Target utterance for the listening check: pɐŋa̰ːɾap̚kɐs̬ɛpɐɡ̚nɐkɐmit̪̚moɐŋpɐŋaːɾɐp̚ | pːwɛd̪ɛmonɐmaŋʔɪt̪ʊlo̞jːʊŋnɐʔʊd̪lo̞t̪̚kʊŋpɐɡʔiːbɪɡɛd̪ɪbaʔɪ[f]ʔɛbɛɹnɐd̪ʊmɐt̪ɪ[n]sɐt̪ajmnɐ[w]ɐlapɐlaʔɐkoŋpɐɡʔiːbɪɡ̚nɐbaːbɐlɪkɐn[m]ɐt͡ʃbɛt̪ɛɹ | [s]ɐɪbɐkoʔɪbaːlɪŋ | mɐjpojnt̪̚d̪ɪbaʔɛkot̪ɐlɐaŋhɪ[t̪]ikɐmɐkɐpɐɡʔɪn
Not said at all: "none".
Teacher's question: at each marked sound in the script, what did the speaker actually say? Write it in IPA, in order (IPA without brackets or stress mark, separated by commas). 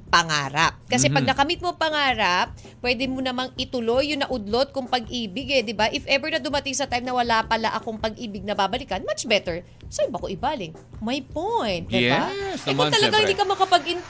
f, ŋ, w, m, s, d̪